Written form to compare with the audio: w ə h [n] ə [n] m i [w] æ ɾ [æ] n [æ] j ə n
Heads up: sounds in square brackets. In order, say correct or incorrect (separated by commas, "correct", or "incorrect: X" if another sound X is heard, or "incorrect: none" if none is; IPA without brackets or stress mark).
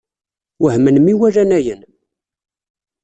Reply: incorrect: m, correct, correct, correct, correct